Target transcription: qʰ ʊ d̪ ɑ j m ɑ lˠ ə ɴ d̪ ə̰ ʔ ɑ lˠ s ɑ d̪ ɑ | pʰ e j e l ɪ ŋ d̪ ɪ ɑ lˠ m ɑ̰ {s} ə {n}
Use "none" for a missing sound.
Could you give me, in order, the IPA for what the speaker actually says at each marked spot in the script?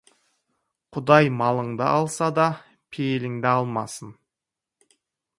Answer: s, n

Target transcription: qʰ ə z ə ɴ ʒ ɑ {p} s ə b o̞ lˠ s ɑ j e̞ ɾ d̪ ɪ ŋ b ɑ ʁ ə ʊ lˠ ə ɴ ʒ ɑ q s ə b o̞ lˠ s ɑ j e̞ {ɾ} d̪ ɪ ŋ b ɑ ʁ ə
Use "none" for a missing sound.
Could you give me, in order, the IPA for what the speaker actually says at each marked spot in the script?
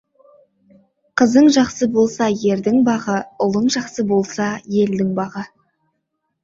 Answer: q, l

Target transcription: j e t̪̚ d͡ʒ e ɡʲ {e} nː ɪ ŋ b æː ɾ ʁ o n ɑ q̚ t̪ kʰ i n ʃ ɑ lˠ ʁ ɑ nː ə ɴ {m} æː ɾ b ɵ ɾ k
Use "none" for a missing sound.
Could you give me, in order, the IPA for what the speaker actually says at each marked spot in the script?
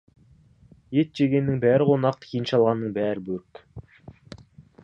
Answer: e, b

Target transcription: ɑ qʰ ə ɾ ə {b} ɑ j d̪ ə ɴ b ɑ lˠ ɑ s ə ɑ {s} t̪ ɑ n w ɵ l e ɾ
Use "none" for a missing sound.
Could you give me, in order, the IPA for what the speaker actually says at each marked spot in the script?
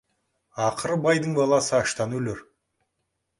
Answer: b, ʃ

